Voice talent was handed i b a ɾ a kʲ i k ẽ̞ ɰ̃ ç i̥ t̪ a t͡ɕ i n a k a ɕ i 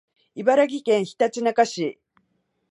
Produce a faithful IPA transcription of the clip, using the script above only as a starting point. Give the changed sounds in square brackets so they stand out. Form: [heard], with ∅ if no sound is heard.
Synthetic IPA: i b a ɾ a [ɡʲ] i k ẽ̞ ɰ̃ ç i̥ t̪ a t͡ɕ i n a k a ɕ i